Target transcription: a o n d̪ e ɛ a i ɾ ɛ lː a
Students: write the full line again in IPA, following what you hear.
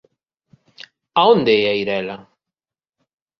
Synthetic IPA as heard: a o n d̪ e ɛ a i ɾ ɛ l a

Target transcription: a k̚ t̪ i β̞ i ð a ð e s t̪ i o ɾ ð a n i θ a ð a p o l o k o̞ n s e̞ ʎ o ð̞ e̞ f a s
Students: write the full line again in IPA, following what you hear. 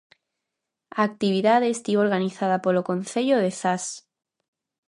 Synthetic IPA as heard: a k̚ t̪ i β̞ i ð a ð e s t̪ i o ɾ ɣ a n i θ a ð a p o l o k o̞ n θ e̞ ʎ o ð̞ e̞ θ a s

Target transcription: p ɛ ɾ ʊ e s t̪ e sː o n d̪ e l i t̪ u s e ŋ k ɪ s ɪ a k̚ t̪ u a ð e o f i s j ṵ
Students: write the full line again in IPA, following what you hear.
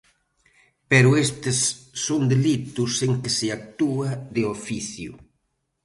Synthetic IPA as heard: p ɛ ɾ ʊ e s t̪ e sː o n d̪ e l i t̪ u s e ŋ k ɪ s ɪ a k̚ t̪ u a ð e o f i θ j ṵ

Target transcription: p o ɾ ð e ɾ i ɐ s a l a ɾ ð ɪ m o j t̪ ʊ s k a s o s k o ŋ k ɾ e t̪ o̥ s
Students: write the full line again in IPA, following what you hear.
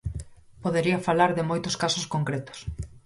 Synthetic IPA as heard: p o ð e ɾ i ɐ f a l a ɾ ð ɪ m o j t̪ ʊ s k a s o s k o ŋ k ɾ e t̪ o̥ s

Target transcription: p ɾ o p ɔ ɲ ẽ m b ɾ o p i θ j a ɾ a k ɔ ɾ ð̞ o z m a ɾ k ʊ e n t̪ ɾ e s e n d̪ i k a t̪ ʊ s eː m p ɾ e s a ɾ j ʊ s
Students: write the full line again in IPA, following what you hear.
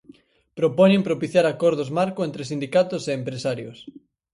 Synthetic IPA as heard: p ɾ o p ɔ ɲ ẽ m p ɾ o p i θ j a ɾ a k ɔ ɾ ð̞ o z m a ɾ k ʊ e n t̪ ɾ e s i n d̪ i k a t̪ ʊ s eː m p ɾ e s a ɾ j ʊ s

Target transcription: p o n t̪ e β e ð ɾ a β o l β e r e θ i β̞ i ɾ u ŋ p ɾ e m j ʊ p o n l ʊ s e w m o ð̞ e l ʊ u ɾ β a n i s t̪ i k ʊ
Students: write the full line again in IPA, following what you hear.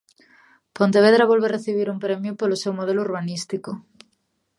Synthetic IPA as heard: p o n t̪ e β e ð ɾ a β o l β e r e θ i β̞ i ɾ u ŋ p ɾ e m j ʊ p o l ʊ s e w m o ð̞ e l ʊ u ɾ β a n i s t̪ i k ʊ

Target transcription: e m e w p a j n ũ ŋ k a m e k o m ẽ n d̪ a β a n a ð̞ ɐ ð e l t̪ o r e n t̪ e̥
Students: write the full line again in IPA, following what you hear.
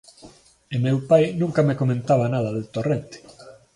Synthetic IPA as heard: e m e w p a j n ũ ŋ k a m e k o m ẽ n t̪ a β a n a ð̞ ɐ ð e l t̪ o r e n t̪ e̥

